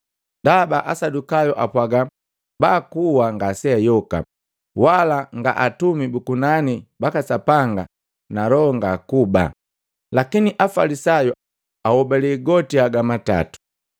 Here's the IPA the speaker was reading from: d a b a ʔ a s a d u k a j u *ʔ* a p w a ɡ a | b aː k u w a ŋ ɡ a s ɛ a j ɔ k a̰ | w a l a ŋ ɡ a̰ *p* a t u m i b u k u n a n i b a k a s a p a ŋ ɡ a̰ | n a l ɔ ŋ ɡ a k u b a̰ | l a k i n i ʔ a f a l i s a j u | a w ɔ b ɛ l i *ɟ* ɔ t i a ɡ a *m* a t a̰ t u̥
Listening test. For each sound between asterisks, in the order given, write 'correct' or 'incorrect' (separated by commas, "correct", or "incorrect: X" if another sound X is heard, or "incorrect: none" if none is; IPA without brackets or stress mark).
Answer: correct, incorrect: ʔ, incorrect: ɡ, correct